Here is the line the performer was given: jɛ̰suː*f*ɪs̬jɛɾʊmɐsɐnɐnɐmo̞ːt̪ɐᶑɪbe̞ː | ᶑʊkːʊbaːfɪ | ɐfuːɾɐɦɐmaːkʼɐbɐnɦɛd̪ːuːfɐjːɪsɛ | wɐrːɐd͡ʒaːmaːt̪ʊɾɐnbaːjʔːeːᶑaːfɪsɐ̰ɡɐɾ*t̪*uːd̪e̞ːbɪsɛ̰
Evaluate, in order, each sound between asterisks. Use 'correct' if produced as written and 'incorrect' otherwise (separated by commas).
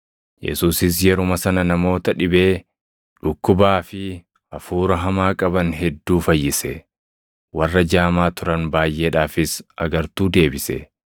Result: incorrect, correct